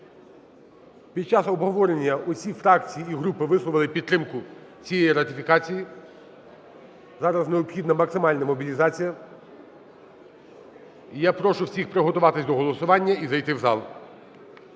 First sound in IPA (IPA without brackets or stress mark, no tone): pʲ